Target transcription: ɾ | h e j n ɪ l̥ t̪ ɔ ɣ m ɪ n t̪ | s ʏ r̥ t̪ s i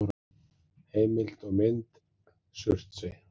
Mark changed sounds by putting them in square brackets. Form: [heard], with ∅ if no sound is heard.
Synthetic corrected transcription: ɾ | h e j [m] ɪ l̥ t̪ ɔ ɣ m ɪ n t̪ | s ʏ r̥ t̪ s [ɪ]